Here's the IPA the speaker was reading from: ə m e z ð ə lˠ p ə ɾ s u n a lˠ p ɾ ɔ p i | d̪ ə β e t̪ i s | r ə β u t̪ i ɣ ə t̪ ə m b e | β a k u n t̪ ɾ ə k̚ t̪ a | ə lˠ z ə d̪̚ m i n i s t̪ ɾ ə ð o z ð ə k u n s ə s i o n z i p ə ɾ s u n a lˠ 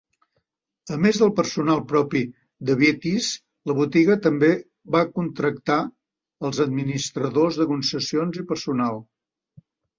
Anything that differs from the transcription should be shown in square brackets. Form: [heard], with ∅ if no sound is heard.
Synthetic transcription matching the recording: ə m e z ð ə lˠ p ə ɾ s u n a lˠ p ɾ ɔ p i | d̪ ə β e t̪ i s | [l] ə β u t̪ i ɣ ə t̪ ə m b e | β a k u n t̪ ɾ ə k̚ t̪ a | ə lˠ z ə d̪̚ m i n i s t̪ ɾ ə ð o z ð ə k u n s ə s i o n z i p ə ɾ s u n a lˠ